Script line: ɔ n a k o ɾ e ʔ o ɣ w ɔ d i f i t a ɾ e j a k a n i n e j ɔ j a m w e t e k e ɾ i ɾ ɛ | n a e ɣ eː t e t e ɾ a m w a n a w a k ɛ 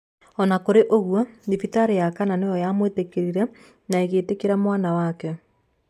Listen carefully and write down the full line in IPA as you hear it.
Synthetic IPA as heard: ɔ n a k o ɾ e ʔ o ɣ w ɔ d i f i t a ɾ e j a k a n a n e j ɔ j a m w e t e k e ɾ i ɾ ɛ | n a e ɣ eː t e k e ɾ a m w a n a w a k ɛ